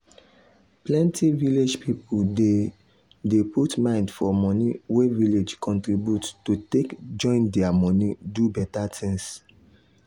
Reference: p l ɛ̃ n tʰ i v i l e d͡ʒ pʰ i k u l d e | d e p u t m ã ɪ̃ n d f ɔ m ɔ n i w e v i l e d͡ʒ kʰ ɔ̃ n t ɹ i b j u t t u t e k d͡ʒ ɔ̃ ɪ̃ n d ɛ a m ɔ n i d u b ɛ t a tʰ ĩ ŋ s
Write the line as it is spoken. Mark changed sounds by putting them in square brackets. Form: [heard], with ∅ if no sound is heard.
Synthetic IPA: p l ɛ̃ n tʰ i v i l e d͡ʒ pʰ i [p] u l d e | d e p u t m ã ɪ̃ n d f ɔ m ɔ n i w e v i l e d͡ʒ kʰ ɔ̃ n t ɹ i b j u t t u t e k d͡ʒ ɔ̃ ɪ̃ n d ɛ a m ɔ n i d u b ɛ t a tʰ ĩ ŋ s